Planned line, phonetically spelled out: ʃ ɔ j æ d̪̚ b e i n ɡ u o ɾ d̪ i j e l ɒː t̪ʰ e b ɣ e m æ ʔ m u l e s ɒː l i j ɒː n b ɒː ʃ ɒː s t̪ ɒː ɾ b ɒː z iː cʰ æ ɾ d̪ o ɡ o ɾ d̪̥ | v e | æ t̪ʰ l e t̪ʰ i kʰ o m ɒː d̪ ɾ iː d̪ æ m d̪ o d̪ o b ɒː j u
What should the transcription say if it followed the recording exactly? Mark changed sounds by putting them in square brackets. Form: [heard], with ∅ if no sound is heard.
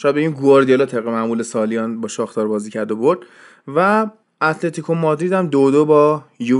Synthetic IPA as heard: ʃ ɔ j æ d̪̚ b e i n ɡ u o ɾ d̪ i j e l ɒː t̪ʰ e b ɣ e m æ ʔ m u l e s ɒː l i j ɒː n b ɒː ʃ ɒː [x] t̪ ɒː ɾ b ɒː z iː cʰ æ ɾ d̪ o [b] o ɾ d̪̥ | v [æ] | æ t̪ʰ l e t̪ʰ i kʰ o m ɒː d̪ ɾ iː d̪ æ m d̪ o d̪ o b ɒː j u